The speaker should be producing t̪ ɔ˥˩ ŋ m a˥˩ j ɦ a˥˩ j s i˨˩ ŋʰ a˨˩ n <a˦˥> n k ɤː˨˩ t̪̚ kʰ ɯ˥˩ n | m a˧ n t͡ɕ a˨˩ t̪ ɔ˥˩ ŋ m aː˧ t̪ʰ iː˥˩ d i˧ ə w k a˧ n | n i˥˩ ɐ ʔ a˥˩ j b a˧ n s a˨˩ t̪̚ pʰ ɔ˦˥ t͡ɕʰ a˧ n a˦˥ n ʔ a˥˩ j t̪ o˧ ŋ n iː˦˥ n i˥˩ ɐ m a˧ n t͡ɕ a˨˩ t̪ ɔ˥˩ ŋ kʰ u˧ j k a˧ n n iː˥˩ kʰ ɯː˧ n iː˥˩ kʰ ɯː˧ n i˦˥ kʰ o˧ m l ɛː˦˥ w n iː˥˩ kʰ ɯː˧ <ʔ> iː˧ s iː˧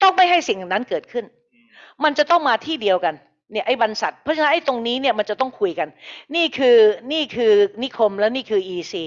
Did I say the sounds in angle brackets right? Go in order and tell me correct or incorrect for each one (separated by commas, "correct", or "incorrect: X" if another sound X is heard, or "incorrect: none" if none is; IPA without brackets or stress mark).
correct, correct